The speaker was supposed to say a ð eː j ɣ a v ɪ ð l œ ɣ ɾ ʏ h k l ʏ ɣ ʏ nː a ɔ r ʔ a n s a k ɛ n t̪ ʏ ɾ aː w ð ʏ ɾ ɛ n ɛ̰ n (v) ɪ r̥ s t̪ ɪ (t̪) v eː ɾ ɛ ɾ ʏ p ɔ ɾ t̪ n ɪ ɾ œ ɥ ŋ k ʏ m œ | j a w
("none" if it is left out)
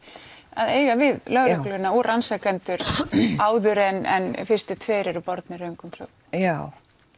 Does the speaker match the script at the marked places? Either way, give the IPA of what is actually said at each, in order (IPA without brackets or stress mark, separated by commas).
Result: f, t̪ʰ